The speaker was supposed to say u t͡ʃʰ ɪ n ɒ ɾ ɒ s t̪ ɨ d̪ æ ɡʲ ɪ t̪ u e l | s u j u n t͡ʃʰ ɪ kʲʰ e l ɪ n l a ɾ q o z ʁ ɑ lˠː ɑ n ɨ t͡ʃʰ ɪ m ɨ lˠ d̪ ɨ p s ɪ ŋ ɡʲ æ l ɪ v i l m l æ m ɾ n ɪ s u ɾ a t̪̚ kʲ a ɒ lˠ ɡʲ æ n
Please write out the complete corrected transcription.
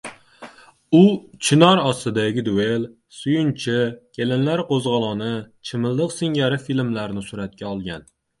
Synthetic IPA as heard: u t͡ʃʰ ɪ n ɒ ɾ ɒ s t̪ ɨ d̪ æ ɡʲ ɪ d̪ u e l | s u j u n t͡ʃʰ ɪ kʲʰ e l ɪ n l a ɾ q o z ʁ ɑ lˠ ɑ n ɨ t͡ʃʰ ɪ m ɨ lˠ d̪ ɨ q s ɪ ŋ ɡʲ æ ɾ ɪ f i l m l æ ɾ n ɪ s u ɾ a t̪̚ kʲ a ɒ lˠ ɡʲ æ n